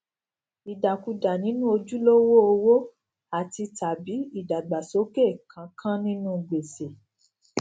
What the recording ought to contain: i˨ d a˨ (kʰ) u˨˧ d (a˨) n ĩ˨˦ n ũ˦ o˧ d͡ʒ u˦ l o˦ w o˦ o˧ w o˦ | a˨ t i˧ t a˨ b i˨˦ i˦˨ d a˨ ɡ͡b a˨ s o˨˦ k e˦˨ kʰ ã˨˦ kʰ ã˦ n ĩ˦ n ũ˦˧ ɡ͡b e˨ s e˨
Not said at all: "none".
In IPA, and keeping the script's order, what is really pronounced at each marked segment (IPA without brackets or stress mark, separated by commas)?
k, a˨